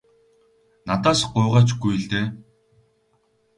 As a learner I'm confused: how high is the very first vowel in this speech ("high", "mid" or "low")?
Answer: low